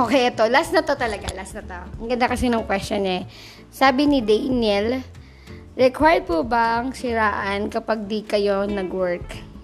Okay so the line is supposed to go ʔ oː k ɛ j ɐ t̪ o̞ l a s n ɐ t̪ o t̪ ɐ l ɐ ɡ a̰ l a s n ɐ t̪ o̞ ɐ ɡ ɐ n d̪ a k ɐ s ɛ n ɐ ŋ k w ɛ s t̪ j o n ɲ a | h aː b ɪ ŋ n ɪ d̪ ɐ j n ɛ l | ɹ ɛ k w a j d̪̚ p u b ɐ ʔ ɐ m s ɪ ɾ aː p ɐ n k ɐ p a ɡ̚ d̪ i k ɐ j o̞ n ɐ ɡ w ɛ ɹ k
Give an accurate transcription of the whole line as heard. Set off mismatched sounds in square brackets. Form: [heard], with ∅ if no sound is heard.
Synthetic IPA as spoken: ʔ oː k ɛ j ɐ t̪ o̞ l a s n ɐ t̪ o t̪ ɐ l ɐ ɡ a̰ l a s n ɐ t̪ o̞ ɐ ɡ ɐ n d̪ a k ɐ s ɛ n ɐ ŋ k w ɛ s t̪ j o n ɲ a | [s] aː b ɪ [∅] n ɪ d̪ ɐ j n ɛ l | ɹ ɛ k w a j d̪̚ p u b ɐ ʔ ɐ [ŋ] s ɪ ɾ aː [ʔ] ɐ n k ɐ p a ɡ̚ d̪ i k ɐ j o̞ n ɐ ɡ w ɛ ɹ k